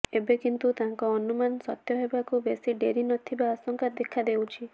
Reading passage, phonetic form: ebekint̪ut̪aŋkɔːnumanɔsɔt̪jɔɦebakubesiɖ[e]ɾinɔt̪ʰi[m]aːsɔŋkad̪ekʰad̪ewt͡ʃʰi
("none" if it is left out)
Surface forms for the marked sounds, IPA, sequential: e, b

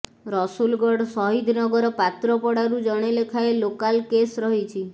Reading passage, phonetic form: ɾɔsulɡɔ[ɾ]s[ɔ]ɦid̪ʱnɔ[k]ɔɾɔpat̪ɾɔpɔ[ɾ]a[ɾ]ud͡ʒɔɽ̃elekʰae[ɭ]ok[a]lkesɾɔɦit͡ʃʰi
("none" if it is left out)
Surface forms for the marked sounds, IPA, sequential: ɽ, ɔ, ɡ, ɽ, ɾ, l, a

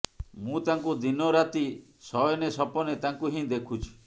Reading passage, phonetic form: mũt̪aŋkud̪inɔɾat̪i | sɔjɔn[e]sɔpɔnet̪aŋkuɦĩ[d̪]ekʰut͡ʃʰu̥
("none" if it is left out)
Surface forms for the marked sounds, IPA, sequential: e, d̪

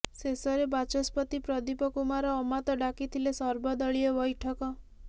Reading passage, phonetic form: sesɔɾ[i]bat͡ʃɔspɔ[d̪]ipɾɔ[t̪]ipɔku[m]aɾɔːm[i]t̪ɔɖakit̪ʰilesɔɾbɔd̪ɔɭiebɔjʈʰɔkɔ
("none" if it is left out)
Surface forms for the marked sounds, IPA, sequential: e, t̪, d̪, m, a

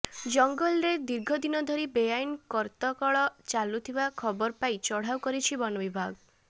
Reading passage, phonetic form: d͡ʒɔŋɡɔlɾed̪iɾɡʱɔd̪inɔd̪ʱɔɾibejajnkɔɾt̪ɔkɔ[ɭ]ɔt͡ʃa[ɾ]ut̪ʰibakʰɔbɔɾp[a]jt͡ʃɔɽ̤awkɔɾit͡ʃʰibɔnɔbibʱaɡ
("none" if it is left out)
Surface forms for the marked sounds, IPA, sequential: ɭ, l, a

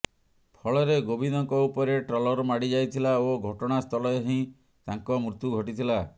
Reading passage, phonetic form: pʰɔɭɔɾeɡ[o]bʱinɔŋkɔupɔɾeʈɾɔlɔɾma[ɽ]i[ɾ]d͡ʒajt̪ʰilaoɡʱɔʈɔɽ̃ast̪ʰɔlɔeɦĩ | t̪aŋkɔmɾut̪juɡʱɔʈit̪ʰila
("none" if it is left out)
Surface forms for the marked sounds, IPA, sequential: o, ɽ, none

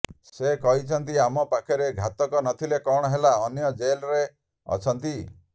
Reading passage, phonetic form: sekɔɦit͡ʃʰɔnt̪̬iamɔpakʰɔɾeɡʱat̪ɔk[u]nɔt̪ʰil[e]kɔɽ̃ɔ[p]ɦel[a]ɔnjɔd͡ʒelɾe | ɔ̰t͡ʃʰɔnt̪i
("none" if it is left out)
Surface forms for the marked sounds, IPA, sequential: ɔ, e, none, a

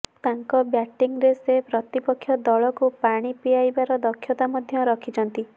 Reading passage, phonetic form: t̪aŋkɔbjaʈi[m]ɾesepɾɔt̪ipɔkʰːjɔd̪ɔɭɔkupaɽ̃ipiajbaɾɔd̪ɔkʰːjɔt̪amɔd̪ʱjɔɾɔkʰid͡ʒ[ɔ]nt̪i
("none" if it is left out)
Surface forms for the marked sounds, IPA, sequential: ŋ, ɔ

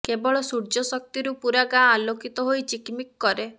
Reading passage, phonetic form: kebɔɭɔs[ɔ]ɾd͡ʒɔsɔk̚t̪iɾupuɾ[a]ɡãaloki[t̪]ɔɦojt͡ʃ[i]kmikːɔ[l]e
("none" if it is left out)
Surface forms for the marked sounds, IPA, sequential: u, a, t̪, i, ɾ

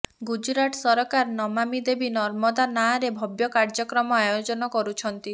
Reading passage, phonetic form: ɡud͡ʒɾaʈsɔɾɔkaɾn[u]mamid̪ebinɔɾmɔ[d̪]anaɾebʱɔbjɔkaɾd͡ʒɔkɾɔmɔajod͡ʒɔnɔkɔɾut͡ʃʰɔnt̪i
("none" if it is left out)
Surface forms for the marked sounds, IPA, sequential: ɔ, d̪

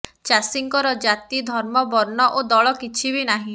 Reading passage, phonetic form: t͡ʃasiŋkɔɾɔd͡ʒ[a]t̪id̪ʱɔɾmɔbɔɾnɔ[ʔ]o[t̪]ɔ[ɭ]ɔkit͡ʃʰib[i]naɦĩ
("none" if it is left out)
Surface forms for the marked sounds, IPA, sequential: a, ʔ, d̪, ɭ, i

